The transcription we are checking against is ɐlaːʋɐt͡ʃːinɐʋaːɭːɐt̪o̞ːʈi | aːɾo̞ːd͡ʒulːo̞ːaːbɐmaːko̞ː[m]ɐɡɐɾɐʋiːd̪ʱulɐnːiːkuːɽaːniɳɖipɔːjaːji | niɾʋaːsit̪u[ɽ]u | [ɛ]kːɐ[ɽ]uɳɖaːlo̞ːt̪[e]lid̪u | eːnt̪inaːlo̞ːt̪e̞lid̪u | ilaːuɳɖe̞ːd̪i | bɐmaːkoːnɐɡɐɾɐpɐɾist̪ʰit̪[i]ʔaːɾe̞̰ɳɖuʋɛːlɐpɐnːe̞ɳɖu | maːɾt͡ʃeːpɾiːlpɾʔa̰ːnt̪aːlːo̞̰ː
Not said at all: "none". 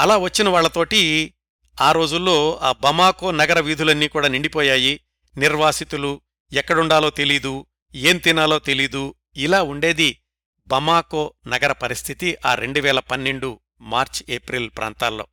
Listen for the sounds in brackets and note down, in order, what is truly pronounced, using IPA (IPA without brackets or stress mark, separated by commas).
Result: n, l, ɛ, ɽ, e, i